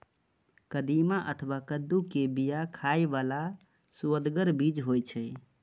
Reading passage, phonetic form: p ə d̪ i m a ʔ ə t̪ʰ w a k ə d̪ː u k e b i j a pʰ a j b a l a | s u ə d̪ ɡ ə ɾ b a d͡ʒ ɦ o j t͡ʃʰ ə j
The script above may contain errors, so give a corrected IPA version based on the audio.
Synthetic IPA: k ə d̪ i m a ʔ ə t̪ʰ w a k ə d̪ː u k e b i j a kʰ a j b a l a | s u ə d̪ ɡ ə ɾ b i d͡ʒ ɦ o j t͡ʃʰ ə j